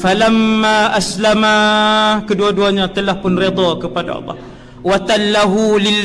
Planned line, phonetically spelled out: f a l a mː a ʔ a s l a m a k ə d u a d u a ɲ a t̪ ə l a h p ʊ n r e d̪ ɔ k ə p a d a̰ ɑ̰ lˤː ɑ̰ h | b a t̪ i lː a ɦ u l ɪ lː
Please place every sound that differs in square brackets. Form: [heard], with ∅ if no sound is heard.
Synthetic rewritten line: f a l a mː a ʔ a s l a m a k ə d u a d u a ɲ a t̪ ə l a h p ʊ n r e d̪ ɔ k ə p a d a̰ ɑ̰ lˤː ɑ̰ h | [w] a t̪ [a] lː a ɦ u l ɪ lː